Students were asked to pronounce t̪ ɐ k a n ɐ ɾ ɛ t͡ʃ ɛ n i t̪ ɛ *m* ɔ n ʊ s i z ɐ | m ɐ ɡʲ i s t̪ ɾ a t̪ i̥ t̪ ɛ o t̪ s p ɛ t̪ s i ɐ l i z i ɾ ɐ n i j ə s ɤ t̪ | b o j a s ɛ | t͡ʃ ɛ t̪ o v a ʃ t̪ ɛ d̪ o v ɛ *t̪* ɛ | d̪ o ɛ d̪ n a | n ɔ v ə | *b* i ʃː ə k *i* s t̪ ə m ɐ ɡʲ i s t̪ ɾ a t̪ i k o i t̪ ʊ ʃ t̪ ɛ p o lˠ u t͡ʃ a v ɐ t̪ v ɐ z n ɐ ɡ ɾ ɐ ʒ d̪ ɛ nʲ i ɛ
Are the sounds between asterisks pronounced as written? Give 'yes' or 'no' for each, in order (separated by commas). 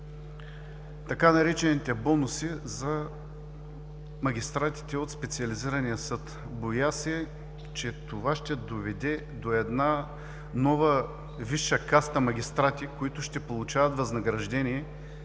no, no, no, no